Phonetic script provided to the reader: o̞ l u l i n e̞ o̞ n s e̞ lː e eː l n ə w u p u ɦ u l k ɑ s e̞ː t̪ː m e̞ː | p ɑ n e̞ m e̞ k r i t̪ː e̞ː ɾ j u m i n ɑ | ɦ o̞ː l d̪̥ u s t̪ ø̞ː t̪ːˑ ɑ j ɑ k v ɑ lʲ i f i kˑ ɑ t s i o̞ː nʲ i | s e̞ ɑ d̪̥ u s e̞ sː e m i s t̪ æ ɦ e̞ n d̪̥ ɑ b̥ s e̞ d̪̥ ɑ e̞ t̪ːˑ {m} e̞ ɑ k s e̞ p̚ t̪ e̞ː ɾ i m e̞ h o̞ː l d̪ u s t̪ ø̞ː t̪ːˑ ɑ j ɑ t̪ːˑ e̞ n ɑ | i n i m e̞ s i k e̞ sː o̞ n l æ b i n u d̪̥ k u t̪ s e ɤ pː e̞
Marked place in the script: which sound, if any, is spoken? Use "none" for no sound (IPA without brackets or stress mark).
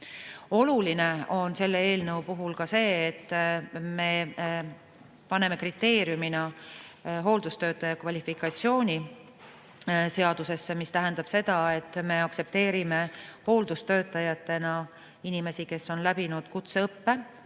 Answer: m